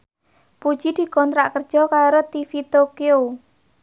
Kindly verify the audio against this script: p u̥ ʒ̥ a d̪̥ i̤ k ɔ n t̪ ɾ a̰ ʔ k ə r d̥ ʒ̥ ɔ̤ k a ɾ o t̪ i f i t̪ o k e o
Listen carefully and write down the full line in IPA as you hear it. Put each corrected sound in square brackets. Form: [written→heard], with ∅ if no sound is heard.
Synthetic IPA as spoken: p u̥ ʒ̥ [a→i] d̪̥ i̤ k ɔ n t̪ ɾ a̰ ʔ k ə r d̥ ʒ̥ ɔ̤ k a ɾ o t̪ i f i t̪ o k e o